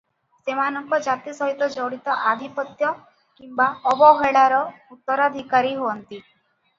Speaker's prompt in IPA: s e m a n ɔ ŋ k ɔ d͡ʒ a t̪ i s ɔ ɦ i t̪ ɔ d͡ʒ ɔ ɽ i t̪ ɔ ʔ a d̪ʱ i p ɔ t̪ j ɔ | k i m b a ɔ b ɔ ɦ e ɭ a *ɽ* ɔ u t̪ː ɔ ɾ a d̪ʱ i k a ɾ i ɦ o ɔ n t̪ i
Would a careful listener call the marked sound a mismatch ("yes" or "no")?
yes